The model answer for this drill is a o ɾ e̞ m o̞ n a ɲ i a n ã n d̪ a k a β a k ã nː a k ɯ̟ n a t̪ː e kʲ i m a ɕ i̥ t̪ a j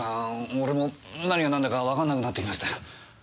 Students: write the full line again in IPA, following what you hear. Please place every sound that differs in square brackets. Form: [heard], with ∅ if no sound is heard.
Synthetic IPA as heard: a o ɾ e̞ m o̞ n a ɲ i a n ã n d̪ a k a β a k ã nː a k ɯ̟ n a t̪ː e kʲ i m a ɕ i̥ t̪ a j